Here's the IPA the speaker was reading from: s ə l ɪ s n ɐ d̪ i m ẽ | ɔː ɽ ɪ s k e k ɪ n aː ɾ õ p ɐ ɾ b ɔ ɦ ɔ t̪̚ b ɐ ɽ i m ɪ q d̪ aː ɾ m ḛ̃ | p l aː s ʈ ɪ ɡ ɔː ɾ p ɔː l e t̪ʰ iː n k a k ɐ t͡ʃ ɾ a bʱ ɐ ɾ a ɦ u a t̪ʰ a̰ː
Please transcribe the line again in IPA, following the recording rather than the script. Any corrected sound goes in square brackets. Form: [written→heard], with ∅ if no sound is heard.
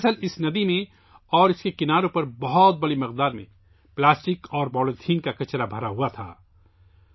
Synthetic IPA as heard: s ə l ɪ s n ɐ d̪ i m ẽ | ɔː [ɽ→ɾ] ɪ s k e k ɪ n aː ɾ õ p ɐ ɾ b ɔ ɦ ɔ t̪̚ b ɐ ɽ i m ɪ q d̪ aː ɾ m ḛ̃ | p l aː s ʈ ɪ [ɡ→k] ɔː ɾ [p→b] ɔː l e t̪ʰ iː n k a k ɐ t͡ʃ ɾ a bʱ ɐ ɾ a ɦ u a t̪ʰ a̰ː